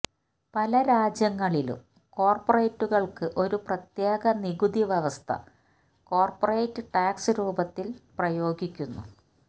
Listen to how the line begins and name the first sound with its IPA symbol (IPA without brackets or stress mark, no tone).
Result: p